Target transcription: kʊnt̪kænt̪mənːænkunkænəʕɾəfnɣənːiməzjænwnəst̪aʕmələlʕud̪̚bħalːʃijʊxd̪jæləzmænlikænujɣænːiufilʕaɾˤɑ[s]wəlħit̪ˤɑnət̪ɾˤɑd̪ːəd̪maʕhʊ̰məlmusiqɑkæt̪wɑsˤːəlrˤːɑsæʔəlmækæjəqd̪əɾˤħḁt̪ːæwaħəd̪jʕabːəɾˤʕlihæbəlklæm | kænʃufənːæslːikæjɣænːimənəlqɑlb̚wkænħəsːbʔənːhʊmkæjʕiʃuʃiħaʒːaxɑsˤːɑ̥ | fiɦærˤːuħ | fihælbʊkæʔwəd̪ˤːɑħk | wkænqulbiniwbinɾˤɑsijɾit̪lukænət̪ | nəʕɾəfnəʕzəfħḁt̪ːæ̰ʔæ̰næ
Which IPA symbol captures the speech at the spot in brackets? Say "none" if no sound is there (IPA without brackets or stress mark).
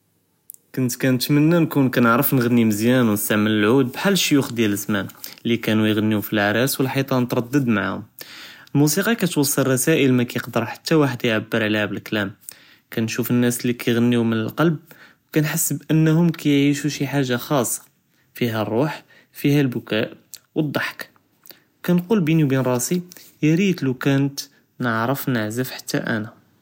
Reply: s